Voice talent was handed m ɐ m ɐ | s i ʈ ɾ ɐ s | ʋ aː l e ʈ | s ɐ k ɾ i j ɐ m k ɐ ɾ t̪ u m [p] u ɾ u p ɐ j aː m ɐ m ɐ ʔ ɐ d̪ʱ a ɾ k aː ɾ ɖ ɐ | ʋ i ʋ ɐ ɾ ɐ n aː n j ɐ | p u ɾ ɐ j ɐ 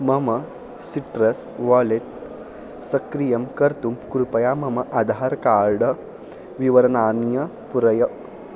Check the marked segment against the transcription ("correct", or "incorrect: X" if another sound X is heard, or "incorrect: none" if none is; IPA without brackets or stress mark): incorrect: k